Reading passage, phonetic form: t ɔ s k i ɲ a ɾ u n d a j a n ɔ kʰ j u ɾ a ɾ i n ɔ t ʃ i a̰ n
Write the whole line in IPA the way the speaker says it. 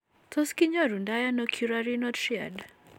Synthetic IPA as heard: t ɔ s k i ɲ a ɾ u n d a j a n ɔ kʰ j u ɾ a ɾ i n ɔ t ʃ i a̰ d